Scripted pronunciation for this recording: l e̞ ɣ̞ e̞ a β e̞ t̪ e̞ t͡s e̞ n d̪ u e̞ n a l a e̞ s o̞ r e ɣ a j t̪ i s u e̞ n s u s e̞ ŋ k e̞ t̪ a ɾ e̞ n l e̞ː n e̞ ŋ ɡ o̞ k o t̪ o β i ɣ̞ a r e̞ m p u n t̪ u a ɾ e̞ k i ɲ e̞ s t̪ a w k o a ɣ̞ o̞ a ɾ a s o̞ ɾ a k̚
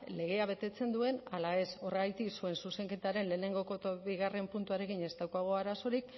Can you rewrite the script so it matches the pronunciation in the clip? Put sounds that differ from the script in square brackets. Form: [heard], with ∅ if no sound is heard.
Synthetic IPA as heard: l e̞ ɣ̞ e̞ a β e̞ t̪ e̞ t͡s e̞ n d̪ u e̞ n a l a e̞ s o̞ r e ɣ a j t̪ i s u e̞ n s u s e̞ ŋ k e̞ t̪ a ɾ e̞ n l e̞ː n e̞ ŋ ɡ o̞ k o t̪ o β i ɣ̞ a r e̞ m p u n t̪ u a ɾ e̞ k i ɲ e̞ s t̪ a w k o a ɣ̞ o̞ a ɾ a s o̞ ɾ [i] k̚

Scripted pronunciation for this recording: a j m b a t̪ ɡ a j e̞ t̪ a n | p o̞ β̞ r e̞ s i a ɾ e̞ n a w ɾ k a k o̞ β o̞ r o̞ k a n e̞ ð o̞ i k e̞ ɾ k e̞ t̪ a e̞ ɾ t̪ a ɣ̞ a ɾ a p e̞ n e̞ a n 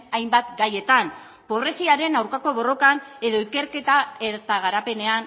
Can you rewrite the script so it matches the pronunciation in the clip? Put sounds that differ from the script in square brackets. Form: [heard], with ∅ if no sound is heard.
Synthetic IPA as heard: a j m b a t̪ ɡ a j e̞ t̪ a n | p o̞ β̞ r e̞ s i a ɾ e̞ n a w ɾ k a k o̞ β o̞ r o̞ k a n e̞ ð o̞ i k e̞ ɾ k e̞ t̪ a e̞ ɾ t̪ a ɣ̞ a ɾ a p e̞ n e̞ a n

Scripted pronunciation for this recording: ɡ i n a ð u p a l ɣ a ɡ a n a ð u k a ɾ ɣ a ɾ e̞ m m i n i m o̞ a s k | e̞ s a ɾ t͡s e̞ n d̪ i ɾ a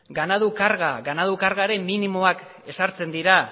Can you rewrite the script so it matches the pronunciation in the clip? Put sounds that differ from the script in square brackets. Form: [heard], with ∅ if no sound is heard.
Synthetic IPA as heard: ɡ [a] n a ð u [k] a [ɾ] ɣ a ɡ a n a ð u k a ɾ ɣ a ɾ e̞ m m i n i m o̞ a [∅] k | e̞ s a ɾ t͡s e̞ n d̪ i ɾ a

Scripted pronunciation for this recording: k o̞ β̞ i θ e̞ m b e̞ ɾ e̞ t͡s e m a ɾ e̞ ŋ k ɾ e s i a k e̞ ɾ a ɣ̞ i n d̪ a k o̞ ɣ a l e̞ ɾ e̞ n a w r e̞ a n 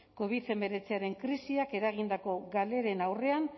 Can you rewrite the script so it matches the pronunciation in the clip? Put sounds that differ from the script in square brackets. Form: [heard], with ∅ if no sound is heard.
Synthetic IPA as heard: k o̞ β̞ i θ e̞ m b e̞ ɾ e̞ t͡s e [∅] a ɾ e̞ ŋ k ɾ [i] s i a k e̞ ɾ a ɣ̞ i n d̪ a k o̞ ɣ a l e̞ ɾ e̞ n a w r e̞ a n

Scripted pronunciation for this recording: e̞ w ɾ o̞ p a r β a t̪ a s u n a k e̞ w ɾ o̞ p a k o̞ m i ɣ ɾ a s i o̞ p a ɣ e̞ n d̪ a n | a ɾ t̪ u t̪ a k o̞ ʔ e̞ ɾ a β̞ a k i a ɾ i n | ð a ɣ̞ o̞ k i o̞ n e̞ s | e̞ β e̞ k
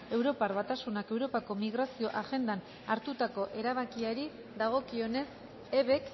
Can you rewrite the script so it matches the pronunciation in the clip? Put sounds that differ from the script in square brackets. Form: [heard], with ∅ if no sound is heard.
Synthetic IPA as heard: e̞ w ɾ o̞ p a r β a t̪ a s u n a k e̞ w ɾ o̞ p a k o̞ m i ɣ ɾ a s i o̞ [ʔ] a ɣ e̞ n d̪ a n | a ɾ t̪ u t̪ a k o̞ ʔ e̞ ɾ a β̞ a k i a ɾ i [∅] | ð a ɣ̞ o̞ k i o̞ n e̞ s | e̞ β e̞ k

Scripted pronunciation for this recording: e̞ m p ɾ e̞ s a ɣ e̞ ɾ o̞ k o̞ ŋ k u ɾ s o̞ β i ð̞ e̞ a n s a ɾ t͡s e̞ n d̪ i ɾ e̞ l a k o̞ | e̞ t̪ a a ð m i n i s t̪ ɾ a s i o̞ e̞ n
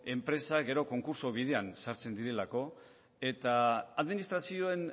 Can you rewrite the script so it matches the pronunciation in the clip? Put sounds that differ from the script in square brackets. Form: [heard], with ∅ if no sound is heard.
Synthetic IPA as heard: e̞ m p ɾ e̞ s a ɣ e̞ ɾ o̞ k o̞ ŋ k u ɾ s o̞ β i ð̞ e̞ a n s a ɾ t͡s e̞ n d̪ i ɾ e̞ l a k o̞ | e̞ t̪ a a ð m i n i s t̪ ɾ a s i o̞ e̞ n

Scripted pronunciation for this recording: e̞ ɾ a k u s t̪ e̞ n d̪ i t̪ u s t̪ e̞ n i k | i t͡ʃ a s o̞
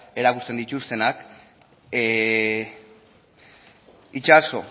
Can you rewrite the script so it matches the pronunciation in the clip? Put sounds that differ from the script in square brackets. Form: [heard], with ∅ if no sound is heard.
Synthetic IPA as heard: e̞ ɾ a k u s t̪ e̞ n d̪ i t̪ u s t̪ e̞ n [a] k | i t͡ʃ a s o̞

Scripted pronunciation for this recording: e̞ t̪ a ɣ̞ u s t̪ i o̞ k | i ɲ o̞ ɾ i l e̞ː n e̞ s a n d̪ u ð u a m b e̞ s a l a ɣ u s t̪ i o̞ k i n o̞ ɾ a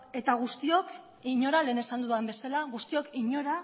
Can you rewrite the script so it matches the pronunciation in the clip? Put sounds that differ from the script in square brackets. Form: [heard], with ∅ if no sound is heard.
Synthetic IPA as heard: e̞ t̪ a ɣ̞ u s t̪ i o̞ k | i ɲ o̞ ɾ [a] l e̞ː n e̞ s a n d̪ u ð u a m b e̞ s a l a ɣ u s t̪ i o̞ k i [ɲ] o̞ ɾ a

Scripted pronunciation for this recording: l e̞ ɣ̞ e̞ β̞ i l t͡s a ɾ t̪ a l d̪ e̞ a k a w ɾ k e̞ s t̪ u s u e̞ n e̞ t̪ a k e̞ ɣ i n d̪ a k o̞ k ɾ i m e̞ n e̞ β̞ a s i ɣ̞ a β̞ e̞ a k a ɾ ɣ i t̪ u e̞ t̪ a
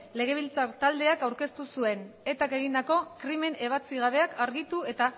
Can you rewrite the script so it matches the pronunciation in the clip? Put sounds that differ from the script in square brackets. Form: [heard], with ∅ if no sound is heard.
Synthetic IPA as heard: l e̞ ɣ̞ e̞ β̞ i l t͡s a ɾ t̪ a l d̪ e̞ a k a w ɾ k e̞ s t̪ u s u e̞ n e̞ t̪ a k e̞ ɣ i n d̪ a k o̞ k ɾ i m e̞ n e̞ β̞ a [t͡s] i ɣ̞ a β̞ e̞ a k a ɾ ɣ i t̪ u e̞ t̪ a

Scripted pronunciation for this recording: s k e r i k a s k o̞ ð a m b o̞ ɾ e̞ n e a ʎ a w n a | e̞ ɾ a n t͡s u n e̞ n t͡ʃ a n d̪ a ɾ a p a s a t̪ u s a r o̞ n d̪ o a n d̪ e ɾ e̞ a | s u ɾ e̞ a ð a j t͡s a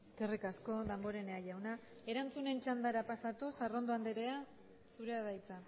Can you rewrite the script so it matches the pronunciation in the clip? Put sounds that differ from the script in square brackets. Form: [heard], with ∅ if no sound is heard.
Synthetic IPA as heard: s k e r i k a s k o̞ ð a m b o̞ ɾ e̞ n e a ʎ a w n a | e̞ ɾ a n t͡s u n e̞ n t͡ʃ a n d̪ a ɾ a p a s a t̪ u s a r o̞ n d̪ o a n d̪ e ɾ e̞ a | s u ɾ e̞ a ð a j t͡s a

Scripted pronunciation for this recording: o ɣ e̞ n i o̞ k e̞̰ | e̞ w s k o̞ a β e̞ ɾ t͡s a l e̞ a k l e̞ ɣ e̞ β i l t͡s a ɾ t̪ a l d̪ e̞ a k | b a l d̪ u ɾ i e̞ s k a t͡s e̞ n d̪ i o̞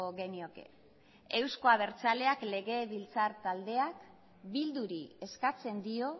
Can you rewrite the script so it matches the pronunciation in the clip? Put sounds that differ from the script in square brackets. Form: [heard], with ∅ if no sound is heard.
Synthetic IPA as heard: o ɣ e̞ n i o̞ k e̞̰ | e̞ w s k o̞ a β e̞ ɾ t͡s a l e̞ a k l e̞ ɣ e̞ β i l t͡s a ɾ t̪ a l d̪ e̞ a k | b [i] l d̪ u ɾ i e̞ s k a t͡s e̞ n d̪ i o̞

